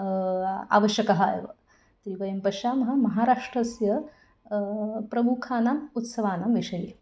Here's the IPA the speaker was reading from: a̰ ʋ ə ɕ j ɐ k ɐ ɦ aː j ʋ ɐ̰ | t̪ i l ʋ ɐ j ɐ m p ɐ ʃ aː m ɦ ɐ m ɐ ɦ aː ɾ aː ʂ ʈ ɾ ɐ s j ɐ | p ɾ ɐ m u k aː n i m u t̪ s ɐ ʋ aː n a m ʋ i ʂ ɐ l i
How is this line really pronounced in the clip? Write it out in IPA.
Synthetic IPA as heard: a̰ ʋ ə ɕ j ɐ k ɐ ɦ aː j ʋ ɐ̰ | t̪ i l ʋ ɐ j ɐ m p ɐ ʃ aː m ɦ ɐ m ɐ ɦ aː ɾ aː ʂ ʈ ɾ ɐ s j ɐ | p ɾ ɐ m u kʰ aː n a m u t̪ s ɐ ʋ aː n a m ʋ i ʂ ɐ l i